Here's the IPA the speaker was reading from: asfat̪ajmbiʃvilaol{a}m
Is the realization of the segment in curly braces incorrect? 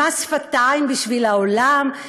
no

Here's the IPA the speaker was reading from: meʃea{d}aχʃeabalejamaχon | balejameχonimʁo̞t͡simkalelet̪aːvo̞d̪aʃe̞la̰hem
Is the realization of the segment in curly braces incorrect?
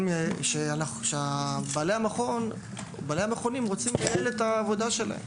yes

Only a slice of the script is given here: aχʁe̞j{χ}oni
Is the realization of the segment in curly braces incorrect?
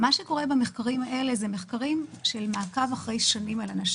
yes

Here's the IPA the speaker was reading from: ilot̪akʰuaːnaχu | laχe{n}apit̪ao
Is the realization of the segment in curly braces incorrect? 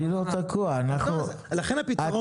no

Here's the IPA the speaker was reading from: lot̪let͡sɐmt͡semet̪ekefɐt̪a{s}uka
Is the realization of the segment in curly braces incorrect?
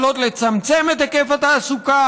no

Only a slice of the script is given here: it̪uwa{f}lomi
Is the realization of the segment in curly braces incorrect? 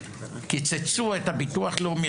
yes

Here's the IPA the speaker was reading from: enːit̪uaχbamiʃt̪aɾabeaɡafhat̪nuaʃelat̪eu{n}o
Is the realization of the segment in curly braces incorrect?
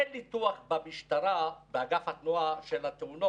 no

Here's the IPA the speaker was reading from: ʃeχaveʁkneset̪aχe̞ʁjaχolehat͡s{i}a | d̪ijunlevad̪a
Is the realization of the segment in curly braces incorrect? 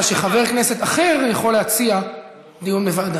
no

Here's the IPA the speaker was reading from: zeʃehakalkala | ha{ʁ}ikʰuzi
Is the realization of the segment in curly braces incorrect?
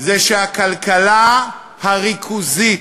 no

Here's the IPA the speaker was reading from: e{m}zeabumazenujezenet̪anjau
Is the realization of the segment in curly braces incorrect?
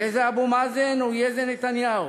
yes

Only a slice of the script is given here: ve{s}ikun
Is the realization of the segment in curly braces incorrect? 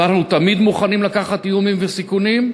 no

